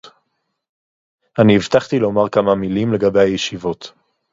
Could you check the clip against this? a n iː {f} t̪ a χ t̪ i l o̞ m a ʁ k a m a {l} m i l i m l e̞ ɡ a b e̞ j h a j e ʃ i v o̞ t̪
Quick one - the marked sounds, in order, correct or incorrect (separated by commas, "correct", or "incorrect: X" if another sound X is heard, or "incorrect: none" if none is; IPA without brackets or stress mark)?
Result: incorrect: v, incorrect: none